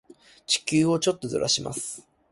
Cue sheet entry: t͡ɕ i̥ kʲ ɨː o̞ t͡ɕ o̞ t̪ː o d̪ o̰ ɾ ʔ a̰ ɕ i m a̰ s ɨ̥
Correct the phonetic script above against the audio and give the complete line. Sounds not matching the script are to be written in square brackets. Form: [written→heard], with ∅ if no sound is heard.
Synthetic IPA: t͡ɕ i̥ kʲ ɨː o̞ t͡ɕ o̞ t̪ː o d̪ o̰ ɾ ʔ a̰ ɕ i m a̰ s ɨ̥